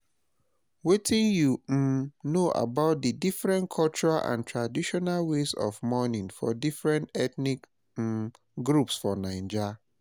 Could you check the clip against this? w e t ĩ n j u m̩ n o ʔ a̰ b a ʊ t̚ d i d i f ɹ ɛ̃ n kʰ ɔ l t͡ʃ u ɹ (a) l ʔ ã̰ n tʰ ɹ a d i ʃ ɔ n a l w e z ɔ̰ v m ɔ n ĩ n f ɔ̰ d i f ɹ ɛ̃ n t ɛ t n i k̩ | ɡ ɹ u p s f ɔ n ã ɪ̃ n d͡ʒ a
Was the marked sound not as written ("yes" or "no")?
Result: no